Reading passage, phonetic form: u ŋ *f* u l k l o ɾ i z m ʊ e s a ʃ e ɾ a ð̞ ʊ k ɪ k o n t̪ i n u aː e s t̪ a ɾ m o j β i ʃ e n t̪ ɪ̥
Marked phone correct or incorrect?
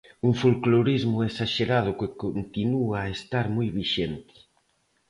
correct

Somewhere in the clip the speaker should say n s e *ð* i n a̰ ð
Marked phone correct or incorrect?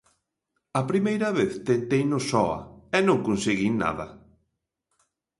incorrect: ɣ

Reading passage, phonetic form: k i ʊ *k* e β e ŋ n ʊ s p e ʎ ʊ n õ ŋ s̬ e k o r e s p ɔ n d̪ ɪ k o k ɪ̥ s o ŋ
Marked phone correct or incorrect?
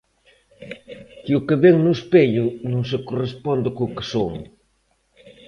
correct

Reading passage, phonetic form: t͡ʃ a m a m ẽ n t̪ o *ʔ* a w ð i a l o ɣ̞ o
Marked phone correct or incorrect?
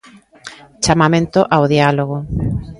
correct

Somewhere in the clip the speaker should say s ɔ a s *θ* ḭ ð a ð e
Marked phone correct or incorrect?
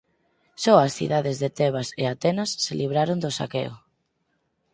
correct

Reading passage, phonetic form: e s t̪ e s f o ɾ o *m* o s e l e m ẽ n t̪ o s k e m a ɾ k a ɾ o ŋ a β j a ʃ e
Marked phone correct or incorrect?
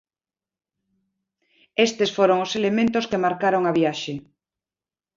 incorrect: ŋ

